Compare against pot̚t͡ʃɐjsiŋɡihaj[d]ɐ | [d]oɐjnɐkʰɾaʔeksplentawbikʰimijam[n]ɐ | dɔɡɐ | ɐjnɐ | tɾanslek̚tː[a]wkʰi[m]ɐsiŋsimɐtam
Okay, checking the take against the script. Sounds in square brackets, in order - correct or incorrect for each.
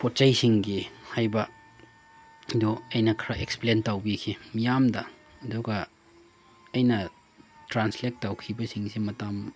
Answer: incorrect: b, correct, incorrect: d, correct, incorrect: b

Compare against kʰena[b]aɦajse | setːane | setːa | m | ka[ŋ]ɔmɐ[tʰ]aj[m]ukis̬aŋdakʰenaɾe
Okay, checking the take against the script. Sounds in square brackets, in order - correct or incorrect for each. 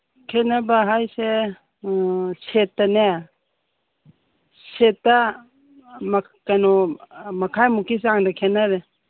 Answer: correct, incorrect: n, incorrect: kʰ, correct

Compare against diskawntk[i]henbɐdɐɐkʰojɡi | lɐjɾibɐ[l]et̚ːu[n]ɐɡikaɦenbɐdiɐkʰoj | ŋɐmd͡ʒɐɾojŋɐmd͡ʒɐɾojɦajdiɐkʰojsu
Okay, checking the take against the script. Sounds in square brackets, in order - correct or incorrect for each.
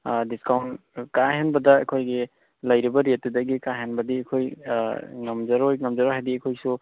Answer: incorrect: a, incorrect: ɾ, incorrect: d

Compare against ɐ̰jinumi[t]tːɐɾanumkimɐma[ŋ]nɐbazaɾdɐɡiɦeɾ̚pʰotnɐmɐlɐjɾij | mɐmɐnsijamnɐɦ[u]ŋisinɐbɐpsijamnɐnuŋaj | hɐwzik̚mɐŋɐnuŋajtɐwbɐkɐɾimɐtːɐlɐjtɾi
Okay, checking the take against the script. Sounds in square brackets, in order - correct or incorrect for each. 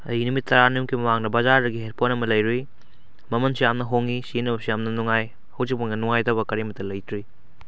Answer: correct, correct, incorrect: o

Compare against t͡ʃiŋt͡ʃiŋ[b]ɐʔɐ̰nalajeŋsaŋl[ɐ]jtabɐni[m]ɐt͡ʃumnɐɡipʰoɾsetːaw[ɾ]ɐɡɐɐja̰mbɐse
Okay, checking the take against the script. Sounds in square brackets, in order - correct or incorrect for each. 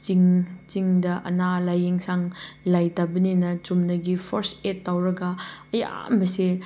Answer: incorrect: d, incorrect: a, incorrect: n, correct

